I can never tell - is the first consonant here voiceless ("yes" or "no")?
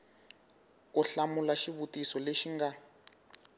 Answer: yes